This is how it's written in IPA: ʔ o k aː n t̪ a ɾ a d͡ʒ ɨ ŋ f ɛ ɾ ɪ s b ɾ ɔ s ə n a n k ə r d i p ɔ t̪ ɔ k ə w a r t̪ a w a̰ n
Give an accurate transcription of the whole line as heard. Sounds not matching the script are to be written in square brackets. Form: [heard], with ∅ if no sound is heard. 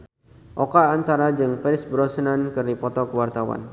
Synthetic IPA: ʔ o k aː n t̪ a ɾ a d͡ʒ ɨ ŋ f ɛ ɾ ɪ s b ɾ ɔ s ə n a n k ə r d i p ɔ t̪ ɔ k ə w a r t̪ a w a̰ n